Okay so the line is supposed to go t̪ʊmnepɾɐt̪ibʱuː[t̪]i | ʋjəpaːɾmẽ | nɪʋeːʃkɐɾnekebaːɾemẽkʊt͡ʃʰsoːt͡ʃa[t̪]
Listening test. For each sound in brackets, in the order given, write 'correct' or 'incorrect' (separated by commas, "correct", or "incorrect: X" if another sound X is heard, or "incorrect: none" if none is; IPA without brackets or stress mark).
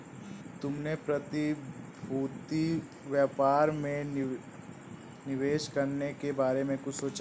correct, incorrect: none